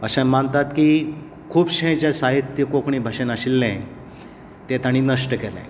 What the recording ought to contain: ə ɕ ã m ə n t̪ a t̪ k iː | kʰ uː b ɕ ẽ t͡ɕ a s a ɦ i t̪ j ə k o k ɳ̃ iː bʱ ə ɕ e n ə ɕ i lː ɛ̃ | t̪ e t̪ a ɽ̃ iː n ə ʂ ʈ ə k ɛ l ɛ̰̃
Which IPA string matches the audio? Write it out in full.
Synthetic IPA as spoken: ə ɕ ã m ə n t̪ a t̪ k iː | kʰ uː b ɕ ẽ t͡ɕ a s a ɦ i t̪ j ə k o k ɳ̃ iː bʱ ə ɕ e n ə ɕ i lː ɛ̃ | t̪ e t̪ a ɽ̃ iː n ə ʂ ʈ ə k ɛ l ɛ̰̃